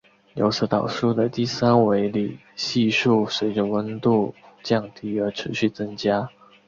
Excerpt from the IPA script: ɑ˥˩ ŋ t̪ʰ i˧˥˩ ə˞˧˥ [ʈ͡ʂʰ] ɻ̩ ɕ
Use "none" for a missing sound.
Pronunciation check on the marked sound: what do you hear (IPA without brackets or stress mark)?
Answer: ʈ͡ʂʰ